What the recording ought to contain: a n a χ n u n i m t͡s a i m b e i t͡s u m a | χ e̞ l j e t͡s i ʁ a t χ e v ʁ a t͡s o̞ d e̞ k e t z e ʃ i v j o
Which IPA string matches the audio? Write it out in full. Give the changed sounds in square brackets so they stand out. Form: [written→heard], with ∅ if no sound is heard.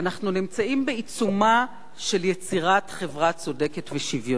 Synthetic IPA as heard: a n a χ n u n i m t͡s a i m b e i t͡s u m a | [χ→ʃ] e̞ l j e t͡s i ʁ a t χ e v ʁ a t͡s o̞ d e̞ k e t [z→v] e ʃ i v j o